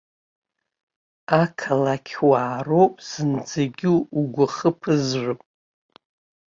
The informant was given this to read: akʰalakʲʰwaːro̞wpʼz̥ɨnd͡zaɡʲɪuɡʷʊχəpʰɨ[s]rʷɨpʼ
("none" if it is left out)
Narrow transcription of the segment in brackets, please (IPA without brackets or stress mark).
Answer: z